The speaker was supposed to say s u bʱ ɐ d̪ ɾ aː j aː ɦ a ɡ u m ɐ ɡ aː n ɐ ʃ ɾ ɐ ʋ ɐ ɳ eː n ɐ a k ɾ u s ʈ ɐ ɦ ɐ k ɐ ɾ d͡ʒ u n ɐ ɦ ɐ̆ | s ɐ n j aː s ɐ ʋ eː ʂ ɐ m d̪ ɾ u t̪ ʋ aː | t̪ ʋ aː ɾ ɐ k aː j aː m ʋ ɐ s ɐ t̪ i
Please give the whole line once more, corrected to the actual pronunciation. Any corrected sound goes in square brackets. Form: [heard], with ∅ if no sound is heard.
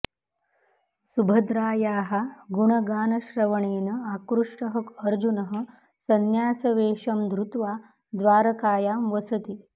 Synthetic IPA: s u bʱ ɐ d̪ ɾ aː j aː ɦ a ɡ u [ɳ] ɐ ɡ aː n ɐ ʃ ɾ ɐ ʋ ɐ ɳ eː n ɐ a k ɾ u [ʂ] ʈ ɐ ɦ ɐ k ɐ ɾ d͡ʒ u n ɐ ɦ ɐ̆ | s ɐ n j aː s ɐ ʋ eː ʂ ɐ m d̪ ɾ u t̪ ʋ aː | [d̪] ʋ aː ɾ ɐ k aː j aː m ʋ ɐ s ɐ t̪ i